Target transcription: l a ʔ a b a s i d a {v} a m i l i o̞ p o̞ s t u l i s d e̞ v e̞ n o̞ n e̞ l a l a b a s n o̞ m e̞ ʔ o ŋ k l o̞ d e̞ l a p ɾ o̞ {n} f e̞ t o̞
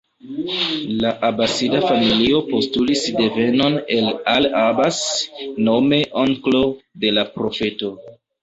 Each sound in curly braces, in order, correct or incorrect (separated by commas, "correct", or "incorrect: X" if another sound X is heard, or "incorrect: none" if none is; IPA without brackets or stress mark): incorrect: f, incorrect: none